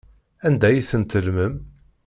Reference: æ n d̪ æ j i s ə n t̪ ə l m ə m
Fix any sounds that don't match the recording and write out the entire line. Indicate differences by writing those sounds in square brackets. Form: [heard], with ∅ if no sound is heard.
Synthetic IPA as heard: æ n d̪ æ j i [θ] ə n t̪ ə l m ə m

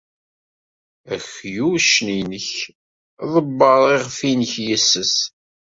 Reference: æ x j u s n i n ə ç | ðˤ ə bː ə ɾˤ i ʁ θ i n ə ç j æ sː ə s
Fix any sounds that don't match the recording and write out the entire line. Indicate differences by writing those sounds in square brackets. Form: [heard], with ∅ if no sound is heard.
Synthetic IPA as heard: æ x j u [ʃ] n i n ə ç | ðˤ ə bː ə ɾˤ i ʁ [f] i n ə ç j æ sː ə s

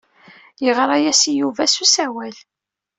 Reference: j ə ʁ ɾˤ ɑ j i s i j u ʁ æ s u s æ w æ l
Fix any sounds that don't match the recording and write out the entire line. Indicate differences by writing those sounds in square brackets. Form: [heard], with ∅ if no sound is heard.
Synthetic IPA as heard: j ə ʁ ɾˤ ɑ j [æ] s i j u [v] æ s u s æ w æ l

